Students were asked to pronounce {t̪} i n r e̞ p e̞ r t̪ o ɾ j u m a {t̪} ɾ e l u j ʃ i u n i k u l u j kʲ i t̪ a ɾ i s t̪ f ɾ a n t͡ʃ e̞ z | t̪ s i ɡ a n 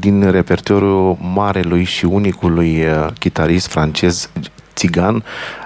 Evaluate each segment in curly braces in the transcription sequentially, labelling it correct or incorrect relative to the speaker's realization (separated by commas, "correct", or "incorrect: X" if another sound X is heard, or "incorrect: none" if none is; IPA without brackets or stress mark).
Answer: incorrect: d̪, incorrect: none